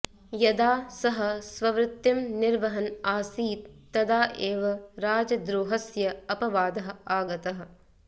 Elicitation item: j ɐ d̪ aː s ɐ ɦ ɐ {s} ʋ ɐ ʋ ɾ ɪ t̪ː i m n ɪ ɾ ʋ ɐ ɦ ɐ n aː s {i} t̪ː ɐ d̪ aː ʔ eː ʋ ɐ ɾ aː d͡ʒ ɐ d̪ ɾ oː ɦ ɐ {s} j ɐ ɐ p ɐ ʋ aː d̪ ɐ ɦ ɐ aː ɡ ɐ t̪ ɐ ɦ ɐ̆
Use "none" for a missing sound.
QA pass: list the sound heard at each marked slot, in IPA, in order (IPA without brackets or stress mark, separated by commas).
s, iː, s